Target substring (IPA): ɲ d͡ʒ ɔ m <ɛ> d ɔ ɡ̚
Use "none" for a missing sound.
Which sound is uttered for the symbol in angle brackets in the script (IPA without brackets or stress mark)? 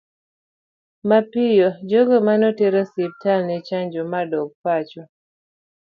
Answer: a